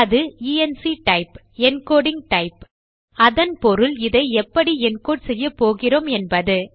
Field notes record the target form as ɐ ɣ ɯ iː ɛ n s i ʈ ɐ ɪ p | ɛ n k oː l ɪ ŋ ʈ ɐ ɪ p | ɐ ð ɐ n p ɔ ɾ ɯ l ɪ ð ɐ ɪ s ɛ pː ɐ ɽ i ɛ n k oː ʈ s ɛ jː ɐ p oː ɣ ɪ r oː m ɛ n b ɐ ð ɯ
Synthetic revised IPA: ɐ ð ɯ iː ɛ n s i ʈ ɐ ɪ p | ɛ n k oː ɽ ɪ ŋ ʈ ɐ ɪ p | ɐ ð ɐ n p ɔ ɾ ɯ l ɪ ð ɐ ɪ ɛ pː ɐ ɽ i ɛ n k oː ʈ s ɛ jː ɐ p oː ɣ ɪ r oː m ɛ n b ɐ ð ɯ